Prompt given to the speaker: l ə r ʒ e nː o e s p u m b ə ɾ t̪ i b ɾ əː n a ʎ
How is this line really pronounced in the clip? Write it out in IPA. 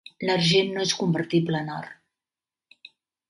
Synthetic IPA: l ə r ʒ e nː o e s k u m b ə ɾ t̪ i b l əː n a r

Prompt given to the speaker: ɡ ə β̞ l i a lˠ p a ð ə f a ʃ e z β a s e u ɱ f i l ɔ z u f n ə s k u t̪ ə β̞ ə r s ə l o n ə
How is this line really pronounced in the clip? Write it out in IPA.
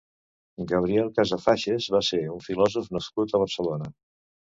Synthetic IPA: ɡ ə β̞ ɾ i ɛ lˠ k a z ə f a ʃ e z β a s e u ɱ f i l ɔ z u f n ə s k u t̪ ə β̞ ə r s ə l o n ə

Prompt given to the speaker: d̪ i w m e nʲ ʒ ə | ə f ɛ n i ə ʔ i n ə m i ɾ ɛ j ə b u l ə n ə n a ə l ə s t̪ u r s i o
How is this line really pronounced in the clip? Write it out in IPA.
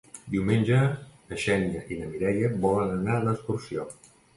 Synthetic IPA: d̪ i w m e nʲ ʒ ə | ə ʃ ɛ n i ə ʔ i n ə m i ɾ ɛ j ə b ɔ l ə n ə n a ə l ə s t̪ u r s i o

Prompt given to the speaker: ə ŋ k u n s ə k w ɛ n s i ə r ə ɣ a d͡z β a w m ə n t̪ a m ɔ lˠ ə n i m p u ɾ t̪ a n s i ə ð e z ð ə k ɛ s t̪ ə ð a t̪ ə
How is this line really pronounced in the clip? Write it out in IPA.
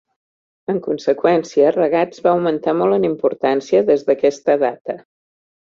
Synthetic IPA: ə ŋ k u n s ə k w ɛ n s i ə r ə ɣ a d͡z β a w m ə n t̪ a m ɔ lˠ ə n i m p u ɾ t̪ a n s i ə ð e z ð ə k ɛ s t̪ ə ð a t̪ ə

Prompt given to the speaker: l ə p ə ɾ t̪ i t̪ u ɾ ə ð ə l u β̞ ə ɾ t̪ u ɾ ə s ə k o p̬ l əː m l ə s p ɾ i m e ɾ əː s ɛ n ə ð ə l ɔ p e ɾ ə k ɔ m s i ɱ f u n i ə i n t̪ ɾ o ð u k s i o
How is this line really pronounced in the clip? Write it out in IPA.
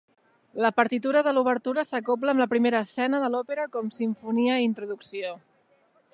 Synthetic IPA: l ə p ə ɾ t̪ i t̪ u ɾ ə ð ə l u β̞ ə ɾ t̪ u ɾ ə s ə k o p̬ l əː m l ə p ɾ i m e ɾ əː s ɛ n ə ð ə l ɔ p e ɾ ə k ɔ m s i ɱ f u n i ə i n t̪ ɾ u ð u k s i o

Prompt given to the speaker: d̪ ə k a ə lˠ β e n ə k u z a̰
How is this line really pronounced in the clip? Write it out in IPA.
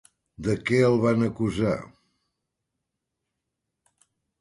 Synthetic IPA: d̪ ə k ɛ ə lˠ β a n ə k u z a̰

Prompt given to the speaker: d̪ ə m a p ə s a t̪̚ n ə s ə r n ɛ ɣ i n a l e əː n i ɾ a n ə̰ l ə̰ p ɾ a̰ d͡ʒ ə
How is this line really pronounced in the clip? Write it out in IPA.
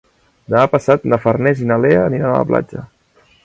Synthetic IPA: d̪ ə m a p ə s a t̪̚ n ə f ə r n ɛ z i n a l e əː n i ɾ a n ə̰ l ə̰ p l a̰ d͡ʒ ə

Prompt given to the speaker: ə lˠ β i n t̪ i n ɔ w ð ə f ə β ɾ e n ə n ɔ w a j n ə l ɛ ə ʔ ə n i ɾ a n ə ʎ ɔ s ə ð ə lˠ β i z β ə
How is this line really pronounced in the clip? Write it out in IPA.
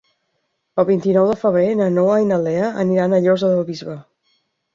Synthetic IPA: ə lˠ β i n t̪ i n ɔ w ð ə f ə β ɾ e n ə n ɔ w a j n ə l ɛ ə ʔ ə n i ɾ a n ə ʎ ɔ z ə ð ə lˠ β i z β ə

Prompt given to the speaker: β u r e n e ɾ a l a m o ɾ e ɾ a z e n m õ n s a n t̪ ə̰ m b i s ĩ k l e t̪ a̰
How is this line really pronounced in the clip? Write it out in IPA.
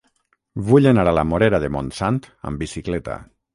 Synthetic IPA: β u ʎ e n a ɾ a l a m o ɾ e ɾ a ð e m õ n s a n t̪ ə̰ m b i s i k l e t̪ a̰

